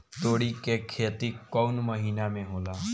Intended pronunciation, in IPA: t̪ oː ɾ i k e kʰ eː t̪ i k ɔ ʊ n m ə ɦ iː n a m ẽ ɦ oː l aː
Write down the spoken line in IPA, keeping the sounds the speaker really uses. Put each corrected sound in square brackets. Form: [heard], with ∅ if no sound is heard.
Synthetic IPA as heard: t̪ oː [ɽ] i k e kʰ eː t̪ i k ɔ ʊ n m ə ɦ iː n a m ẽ ɦ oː l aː